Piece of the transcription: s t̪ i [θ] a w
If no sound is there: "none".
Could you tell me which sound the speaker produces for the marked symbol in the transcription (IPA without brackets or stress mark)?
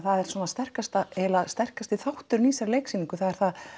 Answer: θ